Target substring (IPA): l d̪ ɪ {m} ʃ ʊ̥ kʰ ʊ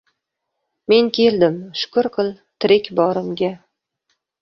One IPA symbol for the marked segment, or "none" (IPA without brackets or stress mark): m